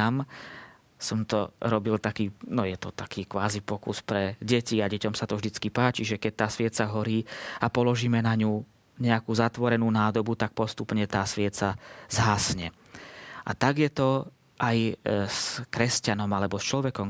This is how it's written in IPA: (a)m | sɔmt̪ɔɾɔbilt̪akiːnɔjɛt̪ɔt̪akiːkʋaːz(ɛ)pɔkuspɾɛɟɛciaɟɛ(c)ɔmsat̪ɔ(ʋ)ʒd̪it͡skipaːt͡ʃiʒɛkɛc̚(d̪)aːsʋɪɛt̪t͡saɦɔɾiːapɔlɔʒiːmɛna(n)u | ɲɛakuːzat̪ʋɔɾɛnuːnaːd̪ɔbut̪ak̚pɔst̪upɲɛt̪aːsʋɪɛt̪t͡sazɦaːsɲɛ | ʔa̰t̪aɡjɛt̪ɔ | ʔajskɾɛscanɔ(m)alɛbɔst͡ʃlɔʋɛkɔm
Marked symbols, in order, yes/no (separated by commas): yes, no, yes, no, no, no, yes